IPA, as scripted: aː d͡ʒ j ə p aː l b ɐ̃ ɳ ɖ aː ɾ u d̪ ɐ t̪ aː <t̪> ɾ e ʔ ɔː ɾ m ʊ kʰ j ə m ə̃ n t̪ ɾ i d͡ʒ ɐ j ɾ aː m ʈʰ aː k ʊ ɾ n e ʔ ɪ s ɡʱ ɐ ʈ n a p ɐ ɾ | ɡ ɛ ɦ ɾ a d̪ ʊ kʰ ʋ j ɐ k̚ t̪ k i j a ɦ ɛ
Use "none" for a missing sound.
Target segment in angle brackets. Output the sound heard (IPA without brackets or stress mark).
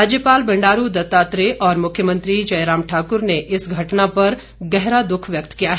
t̪